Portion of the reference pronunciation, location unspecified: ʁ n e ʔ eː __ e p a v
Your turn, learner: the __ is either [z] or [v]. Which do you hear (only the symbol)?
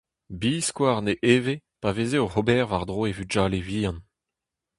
v